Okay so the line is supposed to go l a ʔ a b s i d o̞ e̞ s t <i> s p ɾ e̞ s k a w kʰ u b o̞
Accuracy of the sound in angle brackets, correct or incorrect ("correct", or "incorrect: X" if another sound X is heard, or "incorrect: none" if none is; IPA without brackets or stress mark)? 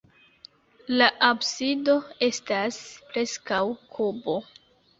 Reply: incorrect: a